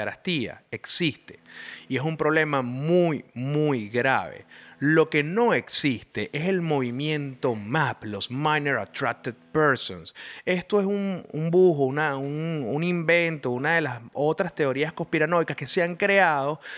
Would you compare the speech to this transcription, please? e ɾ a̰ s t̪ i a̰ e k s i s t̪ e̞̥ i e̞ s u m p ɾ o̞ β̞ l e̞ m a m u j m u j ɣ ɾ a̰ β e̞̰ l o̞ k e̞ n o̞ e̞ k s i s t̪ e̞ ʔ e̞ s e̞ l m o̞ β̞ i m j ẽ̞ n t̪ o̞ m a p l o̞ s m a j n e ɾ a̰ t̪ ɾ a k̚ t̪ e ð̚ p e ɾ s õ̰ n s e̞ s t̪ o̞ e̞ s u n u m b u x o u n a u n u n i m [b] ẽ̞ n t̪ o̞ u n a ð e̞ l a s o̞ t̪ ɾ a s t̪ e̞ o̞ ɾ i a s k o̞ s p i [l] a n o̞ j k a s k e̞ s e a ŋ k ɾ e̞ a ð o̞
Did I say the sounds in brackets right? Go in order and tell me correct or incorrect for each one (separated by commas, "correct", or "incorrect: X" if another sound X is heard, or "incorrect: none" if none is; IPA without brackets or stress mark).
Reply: correct, incorrect: ɾ